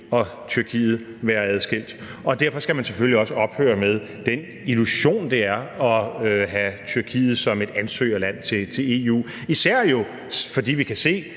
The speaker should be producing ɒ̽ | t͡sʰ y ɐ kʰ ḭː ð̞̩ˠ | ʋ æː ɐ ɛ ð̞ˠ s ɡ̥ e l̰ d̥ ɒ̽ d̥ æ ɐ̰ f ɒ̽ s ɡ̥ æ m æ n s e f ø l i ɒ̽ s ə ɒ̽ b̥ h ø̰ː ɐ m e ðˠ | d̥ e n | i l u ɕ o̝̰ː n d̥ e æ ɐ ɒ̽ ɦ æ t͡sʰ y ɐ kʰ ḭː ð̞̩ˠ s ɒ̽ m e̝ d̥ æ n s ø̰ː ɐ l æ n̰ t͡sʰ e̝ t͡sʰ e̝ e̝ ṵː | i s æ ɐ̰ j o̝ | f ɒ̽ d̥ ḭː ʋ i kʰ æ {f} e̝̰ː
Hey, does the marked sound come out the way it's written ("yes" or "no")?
no